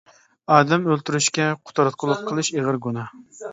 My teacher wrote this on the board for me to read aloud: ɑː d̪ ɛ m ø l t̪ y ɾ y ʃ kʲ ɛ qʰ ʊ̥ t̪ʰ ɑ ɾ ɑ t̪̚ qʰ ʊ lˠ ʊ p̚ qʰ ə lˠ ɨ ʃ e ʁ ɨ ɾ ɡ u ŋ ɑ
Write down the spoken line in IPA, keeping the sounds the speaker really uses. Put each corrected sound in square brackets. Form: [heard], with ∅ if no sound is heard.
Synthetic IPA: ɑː d̪ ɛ m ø l t̪ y ɾ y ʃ kʲ ɛ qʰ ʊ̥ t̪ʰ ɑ ɾ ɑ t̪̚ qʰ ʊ lˠ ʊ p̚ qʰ ə lˠ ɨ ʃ e ʁ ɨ ɾ ɡ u [n] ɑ